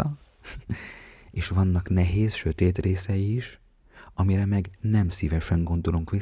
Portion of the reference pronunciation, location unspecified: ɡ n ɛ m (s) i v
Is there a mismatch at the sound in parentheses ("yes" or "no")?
no